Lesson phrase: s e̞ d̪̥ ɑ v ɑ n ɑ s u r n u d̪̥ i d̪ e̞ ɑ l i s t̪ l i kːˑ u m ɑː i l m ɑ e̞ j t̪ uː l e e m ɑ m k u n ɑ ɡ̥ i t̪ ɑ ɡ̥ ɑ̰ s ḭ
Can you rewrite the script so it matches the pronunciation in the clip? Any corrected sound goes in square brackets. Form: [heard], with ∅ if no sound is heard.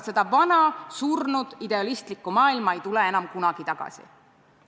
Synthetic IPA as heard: s e̞ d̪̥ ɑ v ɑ n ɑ s u r n u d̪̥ i d̪ e̞ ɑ l i s t̪ l i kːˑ u m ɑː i l m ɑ e̞ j t̪ [u] l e e [n] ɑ m k u n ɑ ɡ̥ i t̪ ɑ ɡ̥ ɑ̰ s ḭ